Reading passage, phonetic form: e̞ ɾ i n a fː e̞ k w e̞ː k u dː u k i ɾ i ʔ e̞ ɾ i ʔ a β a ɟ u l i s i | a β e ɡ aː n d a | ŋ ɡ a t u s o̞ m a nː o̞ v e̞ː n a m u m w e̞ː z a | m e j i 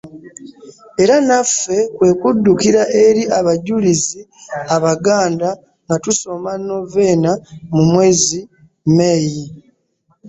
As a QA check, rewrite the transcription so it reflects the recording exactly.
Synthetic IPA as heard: e̞ ɾ a n a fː e̞ k w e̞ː k u dː u k i ɾ a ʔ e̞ ɾ i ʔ a β a ɟ u l i z i | a β a ɡ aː n d a | ŋ ɡ a t u s o̞ m a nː o̞ v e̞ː n a m u m w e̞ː z i | m e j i